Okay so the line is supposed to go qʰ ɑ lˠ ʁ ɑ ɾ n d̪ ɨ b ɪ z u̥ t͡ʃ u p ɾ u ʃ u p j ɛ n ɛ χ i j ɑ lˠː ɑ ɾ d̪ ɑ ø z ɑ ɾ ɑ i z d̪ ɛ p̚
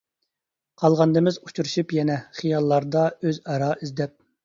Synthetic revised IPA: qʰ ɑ lˠ ʁ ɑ n d̪ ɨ m ɪ z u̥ t͡ʃ u ɾ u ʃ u p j ɛ n ɛ χ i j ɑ lˠː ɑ ɾ d̪ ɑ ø z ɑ ɾ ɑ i z d̪ ɛ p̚